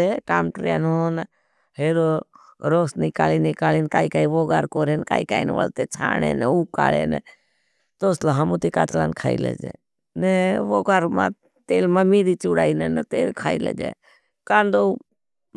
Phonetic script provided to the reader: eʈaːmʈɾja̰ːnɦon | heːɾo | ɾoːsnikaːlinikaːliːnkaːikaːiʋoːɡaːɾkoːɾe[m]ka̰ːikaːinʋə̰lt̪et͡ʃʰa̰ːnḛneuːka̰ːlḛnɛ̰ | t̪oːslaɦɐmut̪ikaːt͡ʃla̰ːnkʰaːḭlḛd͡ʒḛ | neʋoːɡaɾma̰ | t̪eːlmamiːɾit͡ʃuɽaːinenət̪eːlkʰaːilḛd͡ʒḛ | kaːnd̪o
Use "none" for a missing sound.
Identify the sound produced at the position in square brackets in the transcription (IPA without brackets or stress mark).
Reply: n